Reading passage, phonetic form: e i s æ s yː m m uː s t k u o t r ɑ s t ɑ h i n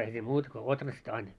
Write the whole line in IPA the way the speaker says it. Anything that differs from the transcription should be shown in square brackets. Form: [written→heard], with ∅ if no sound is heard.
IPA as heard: e i [s→h] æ s [yː→iː] m m uː [s→∅] t k [u→o] o t r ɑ s t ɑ [h→∅] i n